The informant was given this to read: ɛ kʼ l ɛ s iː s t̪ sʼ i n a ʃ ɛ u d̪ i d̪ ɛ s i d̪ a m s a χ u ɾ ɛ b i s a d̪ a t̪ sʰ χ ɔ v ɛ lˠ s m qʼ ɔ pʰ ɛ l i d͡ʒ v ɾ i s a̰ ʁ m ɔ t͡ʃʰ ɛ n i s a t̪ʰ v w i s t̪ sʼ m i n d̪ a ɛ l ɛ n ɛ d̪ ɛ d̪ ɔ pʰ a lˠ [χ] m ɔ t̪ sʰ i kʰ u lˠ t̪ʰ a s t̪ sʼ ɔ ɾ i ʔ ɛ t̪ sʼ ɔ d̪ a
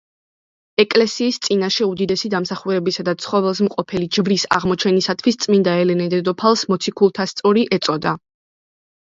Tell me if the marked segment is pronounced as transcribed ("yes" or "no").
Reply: no